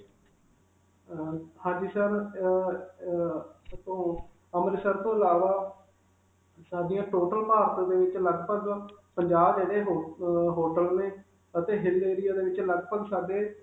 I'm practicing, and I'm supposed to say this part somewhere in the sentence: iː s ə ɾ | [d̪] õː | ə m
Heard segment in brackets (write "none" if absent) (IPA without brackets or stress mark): t̪